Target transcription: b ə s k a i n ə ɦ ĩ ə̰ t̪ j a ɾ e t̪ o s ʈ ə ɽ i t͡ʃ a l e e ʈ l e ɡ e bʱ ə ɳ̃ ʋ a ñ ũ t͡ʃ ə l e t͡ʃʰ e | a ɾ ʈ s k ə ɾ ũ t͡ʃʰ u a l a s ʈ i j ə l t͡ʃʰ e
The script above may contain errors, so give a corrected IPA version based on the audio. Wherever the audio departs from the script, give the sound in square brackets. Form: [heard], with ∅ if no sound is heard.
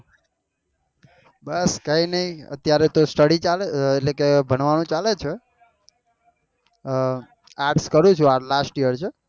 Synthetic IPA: b ə s k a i n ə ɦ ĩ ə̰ t̪ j a ɾ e t̪ o s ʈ ə ɽ i t͡ʃ a l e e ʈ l e [k] e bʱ ə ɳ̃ ʋ a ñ ũ t͡ʃ [a] l e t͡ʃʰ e | a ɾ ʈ s k ə ɾ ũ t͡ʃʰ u a l a s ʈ i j ə [ɾ] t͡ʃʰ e